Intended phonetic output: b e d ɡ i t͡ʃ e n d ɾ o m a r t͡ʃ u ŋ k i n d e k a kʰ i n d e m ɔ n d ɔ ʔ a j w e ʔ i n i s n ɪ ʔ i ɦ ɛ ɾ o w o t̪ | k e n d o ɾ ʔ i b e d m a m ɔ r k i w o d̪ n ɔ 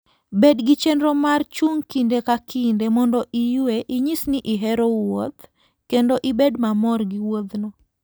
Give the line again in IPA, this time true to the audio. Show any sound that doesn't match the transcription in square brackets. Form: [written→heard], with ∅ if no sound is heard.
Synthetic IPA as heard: b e d ɡ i t͡ʃ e n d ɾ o m a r t͡ʃ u ŋ k i n d e k a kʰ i n d e m ɔ n d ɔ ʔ [a→i] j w e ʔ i [n→ɲ] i s n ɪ ʔ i ɦ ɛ ɾ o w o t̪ | k e n d o [ɾ→∅] ʔ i b e d m a m ɔ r [k→ɡ] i w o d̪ n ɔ